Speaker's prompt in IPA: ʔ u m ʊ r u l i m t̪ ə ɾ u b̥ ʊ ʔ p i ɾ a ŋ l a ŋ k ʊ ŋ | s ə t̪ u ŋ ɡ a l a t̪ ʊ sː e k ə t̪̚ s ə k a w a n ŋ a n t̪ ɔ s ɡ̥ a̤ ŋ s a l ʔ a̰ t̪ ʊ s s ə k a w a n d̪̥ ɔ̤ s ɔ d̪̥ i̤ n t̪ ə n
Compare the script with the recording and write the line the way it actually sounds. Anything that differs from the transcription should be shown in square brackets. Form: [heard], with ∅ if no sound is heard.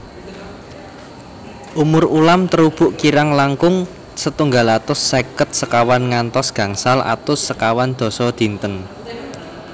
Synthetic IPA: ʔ u m ʊ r u l [a] m t̪ ə ɾ u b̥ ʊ ʔ [k] i ɾ a ŋ l a ŋ k ʊ ŋ | s ə t̪ u ŋ ɡ a l a t̪ ʊ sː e k ə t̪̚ s ə k a w a n ŋ a n t̪ ɔ s ɡ̥ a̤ ŋ s a l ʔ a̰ t̪ ʊ s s ə k a w a n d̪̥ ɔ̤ s ɔ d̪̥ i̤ n t̪ ə n